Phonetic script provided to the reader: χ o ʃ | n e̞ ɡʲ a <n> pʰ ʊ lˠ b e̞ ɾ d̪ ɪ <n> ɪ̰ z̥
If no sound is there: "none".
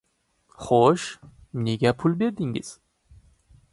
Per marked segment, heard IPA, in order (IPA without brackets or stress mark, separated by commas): none, ŋ